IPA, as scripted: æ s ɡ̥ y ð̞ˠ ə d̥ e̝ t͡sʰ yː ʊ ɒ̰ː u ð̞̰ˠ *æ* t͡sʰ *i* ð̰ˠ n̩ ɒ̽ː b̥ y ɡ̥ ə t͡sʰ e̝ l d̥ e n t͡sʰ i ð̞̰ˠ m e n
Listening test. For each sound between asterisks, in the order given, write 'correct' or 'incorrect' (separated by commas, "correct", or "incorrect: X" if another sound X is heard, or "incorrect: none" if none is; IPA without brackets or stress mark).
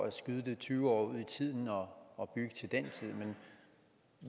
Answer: incorrect: i, correct